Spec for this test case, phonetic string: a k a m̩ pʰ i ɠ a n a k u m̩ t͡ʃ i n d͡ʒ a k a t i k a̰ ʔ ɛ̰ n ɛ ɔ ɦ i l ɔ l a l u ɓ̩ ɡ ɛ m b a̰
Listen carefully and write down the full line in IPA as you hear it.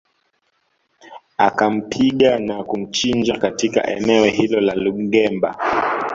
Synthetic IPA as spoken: a k a m̩ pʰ i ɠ a n a k u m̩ t͡ʃ i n d͡ʒ a k a t i k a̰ ʔ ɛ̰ n ɛ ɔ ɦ i l ɔ l a l u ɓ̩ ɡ ɛ m b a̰

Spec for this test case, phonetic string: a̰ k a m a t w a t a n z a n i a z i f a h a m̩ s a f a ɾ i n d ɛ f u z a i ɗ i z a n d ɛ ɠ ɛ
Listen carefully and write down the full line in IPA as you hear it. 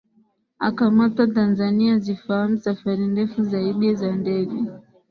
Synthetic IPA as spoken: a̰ k a m a t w a t a n z a n i a z i f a h a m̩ s a f a ɾ i n d ɛ f u z a i ɗ i z a n d ɛ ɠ ɛ

